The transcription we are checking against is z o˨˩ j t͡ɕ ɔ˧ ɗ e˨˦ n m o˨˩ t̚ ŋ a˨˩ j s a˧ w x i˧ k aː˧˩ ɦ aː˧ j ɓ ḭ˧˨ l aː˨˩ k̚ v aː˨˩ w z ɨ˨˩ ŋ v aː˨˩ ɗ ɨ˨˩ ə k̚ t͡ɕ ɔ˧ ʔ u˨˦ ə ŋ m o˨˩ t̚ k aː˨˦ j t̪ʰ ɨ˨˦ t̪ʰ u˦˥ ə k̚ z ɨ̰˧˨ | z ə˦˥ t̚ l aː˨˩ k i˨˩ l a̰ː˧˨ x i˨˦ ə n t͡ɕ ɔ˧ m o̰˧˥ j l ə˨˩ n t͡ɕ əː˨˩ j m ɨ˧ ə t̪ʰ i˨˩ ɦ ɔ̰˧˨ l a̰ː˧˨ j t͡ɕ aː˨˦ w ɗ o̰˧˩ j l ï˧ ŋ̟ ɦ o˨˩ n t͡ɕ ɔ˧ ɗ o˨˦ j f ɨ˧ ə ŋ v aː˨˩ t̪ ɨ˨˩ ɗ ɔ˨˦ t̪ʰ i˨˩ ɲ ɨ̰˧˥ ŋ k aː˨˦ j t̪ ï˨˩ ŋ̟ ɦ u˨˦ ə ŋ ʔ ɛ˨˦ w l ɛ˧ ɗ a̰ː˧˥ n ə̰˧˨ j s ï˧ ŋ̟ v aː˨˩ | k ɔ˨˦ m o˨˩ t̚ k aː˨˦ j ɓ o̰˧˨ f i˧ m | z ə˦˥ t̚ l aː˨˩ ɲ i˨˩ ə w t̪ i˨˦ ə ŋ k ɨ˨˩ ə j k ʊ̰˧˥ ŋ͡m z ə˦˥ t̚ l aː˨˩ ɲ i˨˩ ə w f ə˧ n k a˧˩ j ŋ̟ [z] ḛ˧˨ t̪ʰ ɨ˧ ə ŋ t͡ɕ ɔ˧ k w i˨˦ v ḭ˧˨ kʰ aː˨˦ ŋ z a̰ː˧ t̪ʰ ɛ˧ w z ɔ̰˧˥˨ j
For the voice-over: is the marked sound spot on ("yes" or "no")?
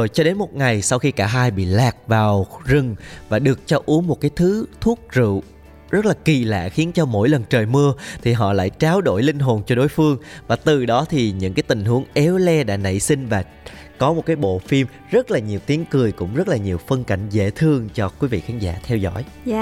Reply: yes